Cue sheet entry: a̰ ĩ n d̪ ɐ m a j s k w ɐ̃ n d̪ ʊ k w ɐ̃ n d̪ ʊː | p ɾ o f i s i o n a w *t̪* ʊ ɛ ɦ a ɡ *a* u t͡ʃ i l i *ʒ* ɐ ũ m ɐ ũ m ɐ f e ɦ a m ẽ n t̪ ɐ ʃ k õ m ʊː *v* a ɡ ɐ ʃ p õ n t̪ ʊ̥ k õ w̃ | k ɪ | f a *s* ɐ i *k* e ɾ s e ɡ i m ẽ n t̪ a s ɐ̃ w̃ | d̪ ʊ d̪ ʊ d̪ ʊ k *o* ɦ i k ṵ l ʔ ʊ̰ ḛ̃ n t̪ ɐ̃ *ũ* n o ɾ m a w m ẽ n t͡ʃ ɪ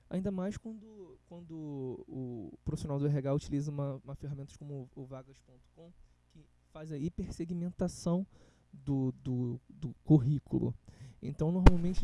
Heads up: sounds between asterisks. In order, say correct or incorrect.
incorrect, correct, incorrect, correct, incorrect, incorrect, incorrect, incorrect

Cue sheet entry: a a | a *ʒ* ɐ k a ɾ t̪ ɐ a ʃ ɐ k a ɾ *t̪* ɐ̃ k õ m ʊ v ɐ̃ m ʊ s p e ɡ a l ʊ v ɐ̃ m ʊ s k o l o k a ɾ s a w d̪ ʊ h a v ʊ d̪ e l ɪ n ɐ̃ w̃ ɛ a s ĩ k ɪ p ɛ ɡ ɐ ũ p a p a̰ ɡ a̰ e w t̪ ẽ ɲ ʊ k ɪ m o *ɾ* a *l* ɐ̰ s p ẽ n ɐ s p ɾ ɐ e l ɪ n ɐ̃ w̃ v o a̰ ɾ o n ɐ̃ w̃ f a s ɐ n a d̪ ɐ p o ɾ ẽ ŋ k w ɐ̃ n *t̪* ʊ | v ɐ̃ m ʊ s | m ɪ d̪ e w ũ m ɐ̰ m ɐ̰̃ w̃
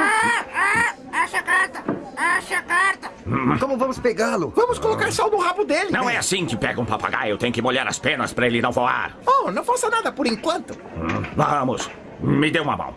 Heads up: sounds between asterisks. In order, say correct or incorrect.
incorrect, correct, incorrect, incorrect, correct

